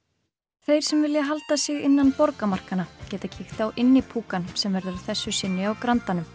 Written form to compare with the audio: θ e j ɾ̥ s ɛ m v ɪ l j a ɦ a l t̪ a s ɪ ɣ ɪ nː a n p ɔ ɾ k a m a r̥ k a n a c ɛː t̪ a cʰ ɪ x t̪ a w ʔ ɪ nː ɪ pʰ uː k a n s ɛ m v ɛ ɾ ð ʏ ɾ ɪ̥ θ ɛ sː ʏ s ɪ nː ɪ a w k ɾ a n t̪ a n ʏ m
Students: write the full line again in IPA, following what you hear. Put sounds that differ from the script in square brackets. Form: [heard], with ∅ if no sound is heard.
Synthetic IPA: θ e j ɾ̥ s ɛ m v ɪ l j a ɦ a l t̪ a s ɪ ɣ ɪ nː a n p ɔ ɾ k a m a r̥ k a n a c ɛː t̪ a cʰ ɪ x t̪ a w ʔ ɪ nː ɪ pʰ uː k a n s ɛ m v ɛ ɾ ð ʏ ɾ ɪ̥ θ ɛ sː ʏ s ɪ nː ɪ a w k ɾ a n t̪ a n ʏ m